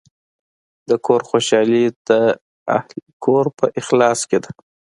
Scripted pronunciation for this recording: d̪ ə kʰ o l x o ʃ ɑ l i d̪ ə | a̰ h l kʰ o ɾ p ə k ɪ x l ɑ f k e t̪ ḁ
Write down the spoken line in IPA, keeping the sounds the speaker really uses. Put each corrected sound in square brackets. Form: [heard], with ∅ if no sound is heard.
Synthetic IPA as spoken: d̪ ə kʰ o [ɾ] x o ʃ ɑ l i d̪ ə | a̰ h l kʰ o ɾ p ə [ʔ] ɪ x l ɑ [s] k e [d̪] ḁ